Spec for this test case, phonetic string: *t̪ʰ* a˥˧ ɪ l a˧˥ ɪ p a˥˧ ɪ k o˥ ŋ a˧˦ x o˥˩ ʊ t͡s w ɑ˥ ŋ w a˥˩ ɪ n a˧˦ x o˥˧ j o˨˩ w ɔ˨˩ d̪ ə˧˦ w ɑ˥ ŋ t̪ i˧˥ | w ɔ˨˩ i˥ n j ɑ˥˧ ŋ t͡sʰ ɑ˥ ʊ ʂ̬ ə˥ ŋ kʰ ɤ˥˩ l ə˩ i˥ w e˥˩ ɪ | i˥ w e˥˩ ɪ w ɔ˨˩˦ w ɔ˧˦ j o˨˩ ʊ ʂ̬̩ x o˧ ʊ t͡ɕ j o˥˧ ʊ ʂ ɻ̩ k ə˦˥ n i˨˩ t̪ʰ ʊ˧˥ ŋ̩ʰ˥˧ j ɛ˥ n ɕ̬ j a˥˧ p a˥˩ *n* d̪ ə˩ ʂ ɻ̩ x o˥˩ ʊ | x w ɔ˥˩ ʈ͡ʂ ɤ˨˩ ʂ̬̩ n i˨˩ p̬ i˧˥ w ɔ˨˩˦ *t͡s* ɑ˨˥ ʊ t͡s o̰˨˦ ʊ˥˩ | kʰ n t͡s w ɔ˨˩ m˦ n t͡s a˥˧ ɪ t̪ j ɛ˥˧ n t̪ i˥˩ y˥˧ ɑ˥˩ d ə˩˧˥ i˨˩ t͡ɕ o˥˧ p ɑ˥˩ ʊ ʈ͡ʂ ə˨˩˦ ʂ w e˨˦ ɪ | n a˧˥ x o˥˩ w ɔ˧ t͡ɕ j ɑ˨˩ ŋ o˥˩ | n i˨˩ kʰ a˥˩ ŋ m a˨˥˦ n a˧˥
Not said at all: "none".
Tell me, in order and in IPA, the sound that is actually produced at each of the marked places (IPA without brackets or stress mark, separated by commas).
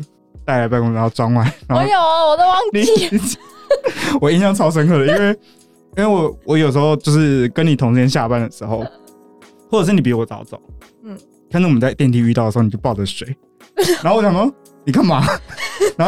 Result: t̪, n, t͡s